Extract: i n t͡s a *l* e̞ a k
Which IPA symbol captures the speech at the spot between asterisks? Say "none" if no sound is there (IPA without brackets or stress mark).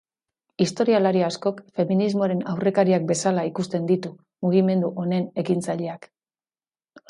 ʎ